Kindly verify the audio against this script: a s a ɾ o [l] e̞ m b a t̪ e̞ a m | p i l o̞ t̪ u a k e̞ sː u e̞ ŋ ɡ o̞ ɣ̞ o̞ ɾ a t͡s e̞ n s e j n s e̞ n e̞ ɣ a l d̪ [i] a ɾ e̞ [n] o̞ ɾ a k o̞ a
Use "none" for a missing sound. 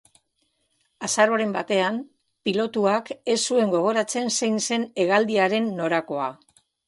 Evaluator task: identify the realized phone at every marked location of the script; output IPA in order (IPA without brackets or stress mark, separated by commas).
ɾ, i, nː